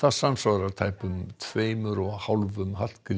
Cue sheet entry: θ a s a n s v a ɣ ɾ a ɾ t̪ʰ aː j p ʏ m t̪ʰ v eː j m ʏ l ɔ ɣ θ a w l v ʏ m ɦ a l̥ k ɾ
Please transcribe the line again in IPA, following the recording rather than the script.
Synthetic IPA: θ a s a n s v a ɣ ɾ a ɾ t̪ʰ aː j p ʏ m t̪ʰ v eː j m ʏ ɾ ɔ ɣ h a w l v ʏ m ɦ a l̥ k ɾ